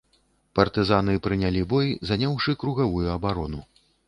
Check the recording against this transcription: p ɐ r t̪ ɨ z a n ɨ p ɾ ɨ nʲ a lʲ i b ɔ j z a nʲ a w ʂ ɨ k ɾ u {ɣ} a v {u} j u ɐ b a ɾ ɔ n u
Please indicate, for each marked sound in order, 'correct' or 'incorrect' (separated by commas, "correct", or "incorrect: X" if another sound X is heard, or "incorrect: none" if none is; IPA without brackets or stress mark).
correct, correct